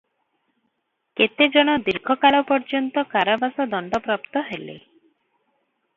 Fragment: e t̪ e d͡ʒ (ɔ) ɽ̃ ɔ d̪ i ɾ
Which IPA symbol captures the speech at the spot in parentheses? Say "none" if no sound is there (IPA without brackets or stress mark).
ɔ